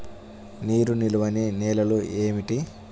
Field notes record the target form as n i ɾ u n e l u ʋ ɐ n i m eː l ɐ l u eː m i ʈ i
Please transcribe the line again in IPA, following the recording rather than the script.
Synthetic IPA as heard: n iː ɾ u n i l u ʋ ɐ n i n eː l ɐ l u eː m i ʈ i